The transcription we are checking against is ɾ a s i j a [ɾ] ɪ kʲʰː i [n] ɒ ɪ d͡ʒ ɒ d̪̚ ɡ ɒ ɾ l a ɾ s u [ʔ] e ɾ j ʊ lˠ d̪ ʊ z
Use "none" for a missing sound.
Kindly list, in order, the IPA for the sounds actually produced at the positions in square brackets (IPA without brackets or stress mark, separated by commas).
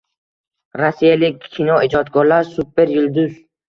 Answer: l, n, p